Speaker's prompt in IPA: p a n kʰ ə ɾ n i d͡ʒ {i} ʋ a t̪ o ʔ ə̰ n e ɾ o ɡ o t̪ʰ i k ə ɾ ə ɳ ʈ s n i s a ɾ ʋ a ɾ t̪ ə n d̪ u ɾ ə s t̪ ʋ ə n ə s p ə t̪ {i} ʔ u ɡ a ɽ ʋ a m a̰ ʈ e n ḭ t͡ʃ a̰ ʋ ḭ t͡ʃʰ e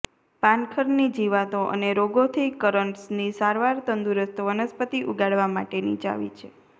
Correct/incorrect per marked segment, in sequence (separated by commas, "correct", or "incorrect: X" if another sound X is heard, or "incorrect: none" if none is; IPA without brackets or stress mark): correct, correct